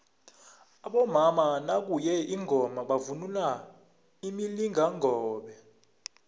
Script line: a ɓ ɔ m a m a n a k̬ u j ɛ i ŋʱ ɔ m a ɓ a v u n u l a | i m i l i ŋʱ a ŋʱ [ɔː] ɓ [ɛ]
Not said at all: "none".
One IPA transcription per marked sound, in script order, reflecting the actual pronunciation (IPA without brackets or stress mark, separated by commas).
ɔː, ɛ